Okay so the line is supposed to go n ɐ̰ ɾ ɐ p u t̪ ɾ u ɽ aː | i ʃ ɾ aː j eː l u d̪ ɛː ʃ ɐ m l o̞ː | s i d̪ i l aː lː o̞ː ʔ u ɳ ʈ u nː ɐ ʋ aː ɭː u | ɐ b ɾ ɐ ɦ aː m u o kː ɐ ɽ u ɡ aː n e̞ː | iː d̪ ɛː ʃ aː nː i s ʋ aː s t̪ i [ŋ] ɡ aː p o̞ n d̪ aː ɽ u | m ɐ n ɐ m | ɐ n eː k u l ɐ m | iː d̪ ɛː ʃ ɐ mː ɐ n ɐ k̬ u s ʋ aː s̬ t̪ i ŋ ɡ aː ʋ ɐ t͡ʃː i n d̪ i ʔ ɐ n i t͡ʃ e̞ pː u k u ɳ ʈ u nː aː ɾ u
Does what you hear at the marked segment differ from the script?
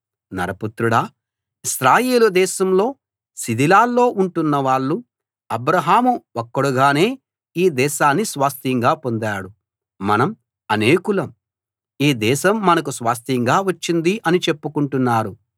no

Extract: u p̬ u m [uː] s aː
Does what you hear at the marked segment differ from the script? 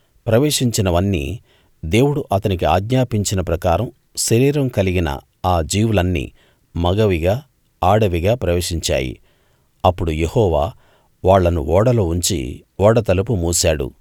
no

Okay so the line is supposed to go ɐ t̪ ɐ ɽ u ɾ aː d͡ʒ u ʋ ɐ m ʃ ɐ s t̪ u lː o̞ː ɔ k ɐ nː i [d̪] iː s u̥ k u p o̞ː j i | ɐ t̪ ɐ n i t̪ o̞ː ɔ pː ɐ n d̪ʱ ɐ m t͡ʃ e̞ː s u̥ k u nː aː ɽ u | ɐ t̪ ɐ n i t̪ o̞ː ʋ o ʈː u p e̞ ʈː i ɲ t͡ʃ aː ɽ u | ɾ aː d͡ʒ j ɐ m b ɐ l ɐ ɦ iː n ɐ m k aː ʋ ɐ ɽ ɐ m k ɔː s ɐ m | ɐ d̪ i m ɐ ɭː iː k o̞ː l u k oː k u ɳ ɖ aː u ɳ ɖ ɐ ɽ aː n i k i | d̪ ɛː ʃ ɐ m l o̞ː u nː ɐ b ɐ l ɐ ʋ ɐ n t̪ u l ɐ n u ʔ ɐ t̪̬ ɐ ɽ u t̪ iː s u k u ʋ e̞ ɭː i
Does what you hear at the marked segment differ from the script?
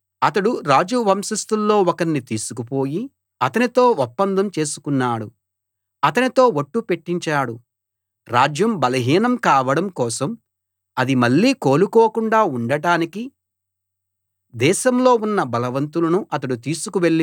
yes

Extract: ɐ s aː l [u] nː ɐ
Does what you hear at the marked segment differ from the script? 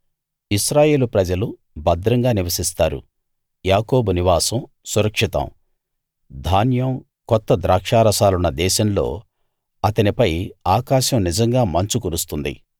no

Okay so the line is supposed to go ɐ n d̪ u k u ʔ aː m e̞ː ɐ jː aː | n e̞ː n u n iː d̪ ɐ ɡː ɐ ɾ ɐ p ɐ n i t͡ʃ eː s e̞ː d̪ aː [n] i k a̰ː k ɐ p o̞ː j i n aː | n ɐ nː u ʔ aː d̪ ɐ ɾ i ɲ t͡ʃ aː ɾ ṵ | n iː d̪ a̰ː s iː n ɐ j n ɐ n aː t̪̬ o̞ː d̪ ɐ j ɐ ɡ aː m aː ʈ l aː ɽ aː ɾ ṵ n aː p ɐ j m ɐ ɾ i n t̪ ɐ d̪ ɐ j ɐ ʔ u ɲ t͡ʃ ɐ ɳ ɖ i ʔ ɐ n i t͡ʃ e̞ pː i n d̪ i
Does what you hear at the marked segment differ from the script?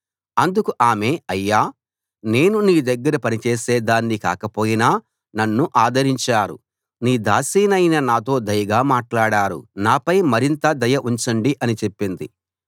yes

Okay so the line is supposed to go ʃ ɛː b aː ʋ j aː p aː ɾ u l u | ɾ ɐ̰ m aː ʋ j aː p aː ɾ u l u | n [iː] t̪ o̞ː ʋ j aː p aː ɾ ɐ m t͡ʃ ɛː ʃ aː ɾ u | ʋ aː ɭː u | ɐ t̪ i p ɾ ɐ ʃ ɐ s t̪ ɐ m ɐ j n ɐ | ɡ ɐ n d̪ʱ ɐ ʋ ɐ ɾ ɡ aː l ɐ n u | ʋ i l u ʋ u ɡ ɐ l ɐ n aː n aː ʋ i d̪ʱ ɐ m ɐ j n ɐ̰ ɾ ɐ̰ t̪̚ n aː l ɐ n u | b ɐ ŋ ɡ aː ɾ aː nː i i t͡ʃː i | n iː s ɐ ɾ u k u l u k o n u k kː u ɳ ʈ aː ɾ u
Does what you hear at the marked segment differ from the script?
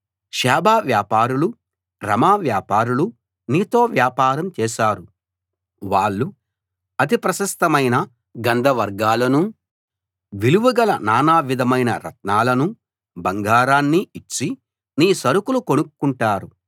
no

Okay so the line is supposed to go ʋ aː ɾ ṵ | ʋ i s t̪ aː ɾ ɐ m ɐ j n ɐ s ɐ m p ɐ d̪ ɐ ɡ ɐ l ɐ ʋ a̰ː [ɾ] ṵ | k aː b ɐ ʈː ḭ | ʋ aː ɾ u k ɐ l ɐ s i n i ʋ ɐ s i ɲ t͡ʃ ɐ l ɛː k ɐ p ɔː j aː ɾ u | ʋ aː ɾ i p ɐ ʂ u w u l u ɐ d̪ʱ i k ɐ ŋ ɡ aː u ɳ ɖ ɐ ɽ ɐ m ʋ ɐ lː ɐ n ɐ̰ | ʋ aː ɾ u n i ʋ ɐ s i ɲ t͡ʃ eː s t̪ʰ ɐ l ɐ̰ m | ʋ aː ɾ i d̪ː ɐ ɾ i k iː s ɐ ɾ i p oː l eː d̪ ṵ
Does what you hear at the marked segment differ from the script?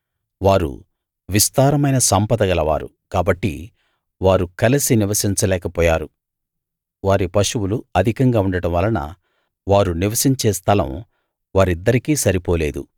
no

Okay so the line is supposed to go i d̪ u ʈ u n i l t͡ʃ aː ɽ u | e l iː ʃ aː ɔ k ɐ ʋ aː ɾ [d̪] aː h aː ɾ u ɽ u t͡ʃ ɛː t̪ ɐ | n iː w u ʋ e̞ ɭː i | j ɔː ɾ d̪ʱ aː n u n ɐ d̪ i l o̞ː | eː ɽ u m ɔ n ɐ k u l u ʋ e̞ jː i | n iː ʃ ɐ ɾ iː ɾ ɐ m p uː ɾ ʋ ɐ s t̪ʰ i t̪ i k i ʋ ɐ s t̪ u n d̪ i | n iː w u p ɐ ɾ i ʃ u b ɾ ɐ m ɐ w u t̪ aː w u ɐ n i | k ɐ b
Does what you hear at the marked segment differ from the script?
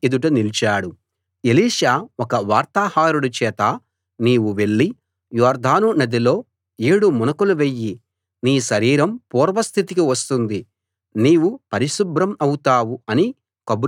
yes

